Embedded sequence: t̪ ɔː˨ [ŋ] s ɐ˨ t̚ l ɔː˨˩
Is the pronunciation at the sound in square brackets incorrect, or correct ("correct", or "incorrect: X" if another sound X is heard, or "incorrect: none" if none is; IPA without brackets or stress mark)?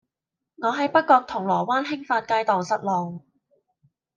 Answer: correct